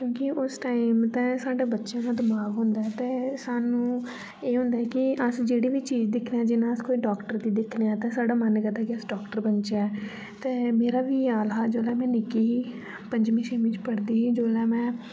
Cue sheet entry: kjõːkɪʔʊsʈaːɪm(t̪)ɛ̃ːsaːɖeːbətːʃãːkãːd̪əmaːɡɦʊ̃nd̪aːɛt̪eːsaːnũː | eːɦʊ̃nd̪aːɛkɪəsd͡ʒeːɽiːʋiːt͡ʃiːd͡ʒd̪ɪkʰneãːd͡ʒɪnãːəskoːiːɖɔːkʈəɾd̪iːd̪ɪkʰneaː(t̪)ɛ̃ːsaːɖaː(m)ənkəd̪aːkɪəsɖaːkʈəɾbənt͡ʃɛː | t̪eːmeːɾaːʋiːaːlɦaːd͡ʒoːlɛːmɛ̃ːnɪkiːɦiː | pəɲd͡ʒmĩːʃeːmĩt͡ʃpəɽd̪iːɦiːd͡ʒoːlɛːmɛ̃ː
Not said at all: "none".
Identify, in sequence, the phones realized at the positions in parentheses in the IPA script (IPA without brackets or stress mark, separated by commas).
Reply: t̪, t̪, m